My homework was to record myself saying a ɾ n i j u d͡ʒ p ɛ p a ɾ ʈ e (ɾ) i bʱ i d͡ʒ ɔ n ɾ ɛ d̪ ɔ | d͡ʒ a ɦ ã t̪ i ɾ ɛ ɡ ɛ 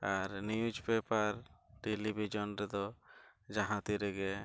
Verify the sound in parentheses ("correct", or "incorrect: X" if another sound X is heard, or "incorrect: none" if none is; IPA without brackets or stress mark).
incorrect: l